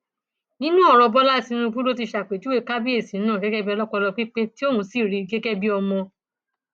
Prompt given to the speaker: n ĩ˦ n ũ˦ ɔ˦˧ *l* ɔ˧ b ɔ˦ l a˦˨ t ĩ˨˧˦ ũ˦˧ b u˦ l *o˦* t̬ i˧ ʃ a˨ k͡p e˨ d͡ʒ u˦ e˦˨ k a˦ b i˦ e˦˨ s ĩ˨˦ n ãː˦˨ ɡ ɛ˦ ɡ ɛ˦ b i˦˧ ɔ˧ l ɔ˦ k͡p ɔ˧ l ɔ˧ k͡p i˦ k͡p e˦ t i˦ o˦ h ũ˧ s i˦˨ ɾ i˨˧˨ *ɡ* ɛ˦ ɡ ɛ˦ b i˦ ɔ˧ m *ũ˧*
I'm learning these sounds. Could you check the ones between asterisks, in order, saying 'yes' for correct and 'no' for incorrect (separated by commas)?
no, yes, yes, no